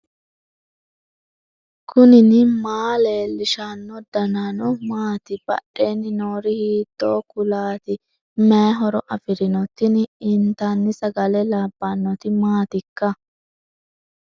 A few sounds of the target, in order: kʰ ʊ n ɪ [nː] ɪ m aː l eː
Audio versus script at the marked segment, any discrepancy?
yes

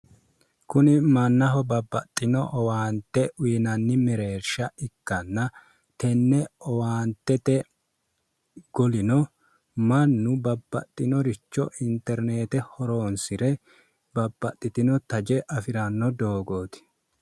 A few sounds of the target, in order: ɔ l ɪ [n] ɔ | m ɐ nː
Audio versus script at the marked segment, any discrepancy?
no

